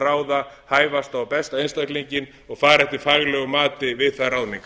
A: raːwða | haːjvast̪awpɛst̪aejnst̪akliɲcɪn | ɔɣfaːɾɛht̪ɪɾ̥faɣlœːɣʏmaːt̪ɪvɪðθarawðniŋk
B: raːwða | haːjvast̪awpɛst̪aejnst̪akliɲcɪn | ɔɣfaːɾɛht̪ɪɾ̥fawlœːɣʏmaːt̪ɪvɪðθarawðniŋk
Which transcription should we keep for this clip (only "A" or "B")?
A